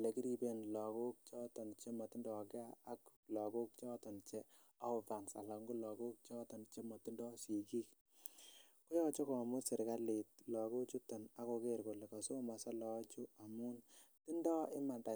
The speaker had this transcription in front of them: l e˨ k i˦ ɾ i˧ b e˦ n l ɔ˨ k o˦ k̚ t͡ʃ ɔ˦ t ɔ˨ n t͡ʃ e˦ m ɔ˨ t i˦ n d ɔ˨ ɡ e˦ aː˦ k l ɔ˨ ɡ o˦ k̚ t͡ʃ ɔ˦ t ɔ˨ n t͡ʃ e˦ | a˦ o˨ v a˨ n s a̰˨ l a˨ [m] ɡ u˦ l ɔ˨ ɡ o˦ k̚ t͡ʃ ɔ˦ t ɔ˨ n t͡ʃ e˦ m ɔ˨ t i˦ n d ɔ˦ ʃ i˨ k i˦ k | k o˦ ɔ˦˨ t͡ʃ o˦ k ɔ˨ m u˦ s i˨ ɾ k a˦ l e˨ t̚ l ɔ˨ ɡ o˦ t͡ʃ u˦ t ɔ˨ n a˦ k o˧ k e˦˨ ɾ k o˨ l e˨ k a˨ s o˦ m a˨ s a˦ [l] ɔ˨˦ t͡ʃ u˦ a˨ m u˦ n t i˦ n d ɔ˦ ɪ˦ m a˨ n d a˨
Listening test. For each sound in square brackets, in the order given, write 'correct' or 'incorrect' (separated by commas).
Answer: incorrect, correct